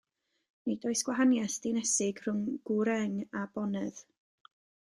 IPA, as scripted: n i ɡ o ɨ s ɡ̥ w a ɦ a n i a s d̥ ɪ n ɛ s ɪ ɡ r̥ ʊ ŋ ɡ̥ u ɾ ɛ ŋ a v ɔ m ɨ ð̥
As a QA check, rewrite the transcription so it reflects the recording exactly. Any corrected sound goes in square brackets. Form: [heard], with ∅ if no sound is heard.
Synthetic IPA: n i [d] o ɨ s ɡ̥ w a ɦ a n [j] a s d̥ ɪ n ɛ s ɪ ɡ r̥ ʊ ŋ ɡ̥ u ɾ ɛ ŋ a [b] ɔ [n] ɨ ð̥